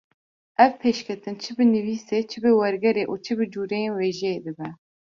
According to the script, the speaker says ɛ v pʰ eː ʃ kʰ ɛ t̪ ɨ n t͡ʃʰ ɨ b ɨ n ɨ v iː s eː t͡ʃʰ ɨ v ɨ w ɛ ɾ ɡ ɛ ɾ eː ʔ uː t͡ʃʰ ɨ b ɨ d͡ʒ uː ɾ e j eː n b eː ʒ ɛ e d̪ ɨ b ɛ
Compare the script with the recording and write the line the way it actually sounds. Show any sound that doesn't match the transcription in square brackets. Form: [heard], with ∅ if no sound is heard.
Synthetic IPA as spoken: ɛ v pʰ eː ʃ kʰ ɛ t̪ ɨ n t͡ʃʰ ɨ b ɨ n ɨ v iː s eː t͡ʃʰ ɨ [b] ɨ w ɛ ɾ ɡ ɛ ɾ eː ʔ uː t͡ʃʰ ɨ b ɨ d͡ʒ uː ɾ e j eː n [w] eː ʒ ɛ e d̪ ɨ b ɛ

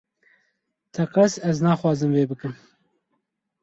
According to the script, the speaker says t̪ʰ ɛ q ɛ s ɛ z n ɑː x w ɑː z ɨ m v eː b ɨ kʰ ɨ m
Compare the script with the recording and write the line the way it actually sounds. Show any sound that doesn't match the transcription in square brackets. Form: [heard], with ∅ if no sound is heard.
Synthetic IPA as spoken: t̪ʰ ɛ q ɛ s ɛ z n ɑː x w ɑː z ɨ m v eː b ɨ [k] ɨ m

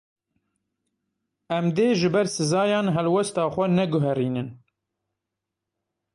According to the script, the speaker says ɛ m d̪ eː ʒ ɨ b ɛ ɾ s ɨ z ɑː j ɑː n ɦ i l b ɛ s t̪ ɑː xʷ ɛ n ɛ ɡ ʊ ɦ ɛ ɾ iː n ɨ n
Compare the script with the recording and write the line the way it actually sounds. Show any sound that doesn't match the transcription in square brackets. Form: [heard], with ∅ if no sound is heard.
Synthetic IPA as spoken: ɛ m d̪ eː ʒ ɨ b ɛ ɾ s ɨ z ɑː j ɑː n ɦ [ɛ] l [w] ɛ s t̪ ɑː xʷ ɛ n ɛ ɡ ʊ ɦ ɛ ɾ iː n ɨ n

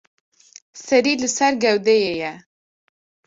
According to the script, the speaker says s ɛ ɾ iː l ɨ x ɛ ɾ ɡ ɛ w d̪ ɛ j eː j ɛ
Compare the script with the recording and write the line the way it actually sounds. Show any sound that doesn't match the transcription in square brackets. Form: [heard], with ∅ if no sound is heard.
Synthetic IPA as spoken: s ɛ ɾ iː l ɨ [s] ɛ ɾ ɡ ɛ w d̪ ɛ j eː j ɛ

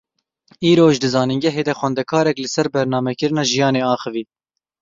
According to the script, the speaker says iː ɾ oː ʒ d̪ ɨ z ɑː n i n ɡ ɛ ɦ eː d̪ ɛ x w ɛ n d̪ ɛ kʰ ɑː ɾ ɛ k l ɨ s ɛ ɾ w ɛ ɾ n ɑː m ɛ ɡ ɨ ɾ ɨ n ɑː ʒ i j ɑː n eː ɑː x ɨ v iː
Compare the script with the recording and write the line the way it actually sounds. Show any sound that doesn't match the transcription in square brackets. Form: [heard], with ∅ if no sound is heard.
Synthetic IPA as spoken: iː ɾ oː ʒ d̪ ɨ z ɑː n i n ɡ ɛ ɦ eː d̪ ɛ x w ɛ n d̪ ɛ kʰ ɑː ɾ ɛ k l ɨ s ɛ ɾ [b] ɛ ɾ n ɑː m ɛ [k] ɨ ɾ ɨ n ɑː ʒ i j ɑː n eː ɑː x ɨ v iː

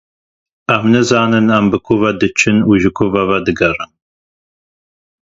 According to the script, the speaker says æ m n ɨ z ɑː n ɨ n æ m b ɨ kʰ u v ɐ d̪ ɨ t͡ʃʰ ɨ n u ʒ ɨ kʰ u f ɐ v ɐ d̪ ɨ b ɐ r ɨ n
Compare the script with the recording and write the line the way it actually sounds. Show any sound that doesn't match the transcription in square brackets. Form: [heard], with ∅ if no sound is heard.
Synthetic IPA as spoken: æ m n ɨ z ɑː n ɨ n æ m b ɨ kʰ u v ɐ d̪ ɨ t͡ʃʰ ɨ n u ʒ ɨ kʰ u [v] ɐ v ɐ d̪ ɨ [ɡ] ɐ r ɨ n

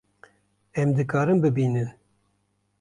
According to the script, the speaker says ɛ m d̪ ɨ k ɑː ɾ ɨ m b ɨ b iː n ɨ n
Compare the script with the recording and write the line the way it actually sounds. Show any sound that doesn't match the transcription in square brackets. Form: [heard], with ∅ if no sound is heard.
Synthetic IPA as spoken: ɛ m d̪ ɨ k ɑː ɾ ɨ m b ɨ b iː n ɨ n

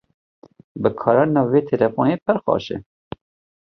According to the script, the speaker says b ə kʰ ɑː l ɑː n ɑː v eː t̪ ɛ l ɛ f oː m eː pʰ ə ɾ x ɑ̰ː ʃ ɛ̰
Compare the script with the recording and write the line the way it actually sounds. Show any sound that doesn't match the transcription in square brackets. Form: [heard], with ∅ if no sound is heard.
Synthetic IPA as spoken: b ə kʰ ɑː [ɾ] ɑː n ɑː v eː [t̪ʰ] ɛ l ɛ f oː [n] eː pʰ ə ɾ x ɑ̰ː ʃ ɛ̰

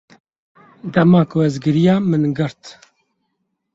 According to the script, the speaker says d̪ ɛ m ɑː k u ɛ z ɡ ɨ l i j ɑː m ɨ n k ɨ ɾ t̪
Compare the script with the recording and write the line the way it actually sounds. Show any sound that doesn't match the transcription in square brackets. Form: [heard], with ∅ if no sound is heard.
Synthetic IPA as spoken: d̪ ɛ m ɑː k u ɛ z ɡ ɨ [ɾ] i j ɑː m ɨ n [ɡ] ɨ ɾ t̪

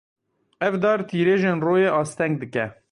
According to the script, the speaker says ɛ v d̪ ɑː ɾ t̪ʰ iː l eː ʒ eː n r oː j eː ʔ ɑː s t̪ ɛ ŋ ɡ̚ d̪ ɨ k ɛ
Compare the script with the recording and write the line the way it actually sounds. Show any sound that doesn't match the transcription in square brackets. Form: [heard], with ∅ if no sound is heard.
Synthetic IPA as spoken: ɛ v d̪ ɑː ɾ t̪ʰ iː [ɾ] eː ʒ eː n r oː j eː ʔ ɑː s t̪ ɛ ŋ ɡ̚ d̪ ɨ k ɛ

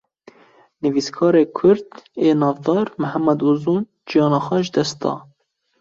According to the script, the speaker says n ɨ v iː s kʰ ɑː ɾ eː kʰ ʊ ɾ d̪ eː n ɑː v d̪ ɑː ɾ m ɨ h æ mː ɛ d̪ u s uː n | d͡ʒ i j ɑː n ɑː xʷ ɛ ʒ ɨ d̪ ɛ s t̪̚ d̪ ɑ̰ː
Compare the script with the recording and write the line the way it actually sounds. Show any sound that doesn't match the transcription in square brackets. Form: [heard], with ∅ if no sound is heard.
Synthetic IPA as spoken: n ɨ v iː s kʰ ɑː ɾ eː kʰ ʊ ɾ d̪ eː n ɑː v d̪ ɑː ɾ m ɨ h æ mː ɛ d̪ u [z] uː n | d͡ʒ i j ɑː n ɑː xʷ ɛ ʒ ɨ d̪ ɛ s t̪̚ d̪ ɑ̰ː

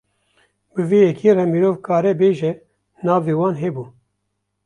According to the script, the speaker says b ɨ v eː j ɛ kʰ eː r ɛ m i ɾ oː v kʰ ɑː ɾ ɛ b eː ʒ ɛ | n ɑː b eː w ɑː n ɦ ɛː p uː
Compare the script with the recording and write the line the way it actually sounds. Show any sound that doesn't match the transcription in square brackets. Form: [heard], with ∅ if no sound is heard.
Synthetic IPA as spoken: b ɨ v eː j ɛ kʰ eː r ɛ m i ɾ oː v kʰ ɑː ɾ ɛ b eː ʒ ɛ | n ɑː [v] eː w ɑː n ɦ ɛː [b] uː

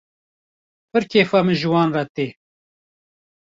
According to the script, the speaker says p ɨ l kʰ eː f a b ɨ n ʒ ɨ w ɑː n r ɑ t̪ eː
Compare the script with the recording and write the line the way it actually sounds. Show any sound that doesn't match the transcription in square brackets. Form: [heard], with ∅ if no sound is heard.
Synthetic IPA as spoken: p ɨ [ɾ] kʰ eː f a [m] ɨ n ʒ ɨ w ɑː n r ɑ t̪ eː

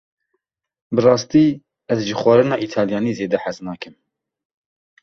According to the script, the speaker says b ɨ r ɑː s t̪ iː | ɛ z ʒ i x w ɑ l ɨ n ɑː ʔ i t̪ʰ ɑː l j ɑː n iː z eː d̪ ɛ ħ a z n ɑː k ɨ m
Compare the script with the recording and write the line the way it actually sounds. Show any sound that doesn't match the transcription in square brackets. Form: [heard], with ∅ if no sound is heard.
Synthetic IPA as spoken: b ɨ r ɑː s t̪ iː | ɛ z ʒ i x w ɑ [ɾ] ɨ n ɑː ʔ i t̪ʰ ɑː l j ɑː n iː z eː d̪ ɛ ħ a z n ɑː k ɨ m

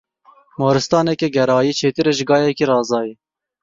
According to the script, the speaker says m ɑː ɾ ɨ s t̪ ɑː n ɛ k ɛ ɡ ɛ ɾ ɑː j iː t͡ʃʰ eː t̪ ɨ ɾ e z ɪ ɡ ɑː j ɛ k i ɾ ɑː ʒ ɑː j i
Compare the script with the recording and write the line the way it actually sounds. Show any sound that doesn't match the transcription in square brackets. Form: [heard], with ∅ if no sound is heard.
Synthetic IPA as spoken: m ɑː ɾ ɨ s t̪ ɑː n ɛ k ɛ ɡ ɛ ɾ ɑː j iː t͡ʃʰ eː t̪ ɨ ɾ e [ʒ] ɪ ɡ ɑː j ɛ k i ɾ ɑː [z] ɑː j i

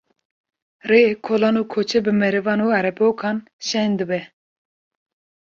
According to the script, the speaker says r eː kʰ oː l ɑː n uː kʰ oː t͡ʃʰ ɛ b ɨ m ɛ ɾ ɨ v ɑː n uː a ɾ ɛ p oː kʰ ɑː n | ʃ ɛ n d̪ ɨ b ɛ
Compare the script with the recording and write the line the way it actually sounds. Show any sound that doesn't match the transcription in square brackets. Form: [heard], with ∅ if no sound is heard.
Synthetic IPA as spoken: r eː kʰ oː l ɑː n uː kʰ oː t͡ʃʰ ɛ b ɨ m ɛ ɾ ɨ v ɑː n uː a ɾ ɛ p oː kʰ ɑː n | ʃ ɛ n d̪ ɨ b ɛ

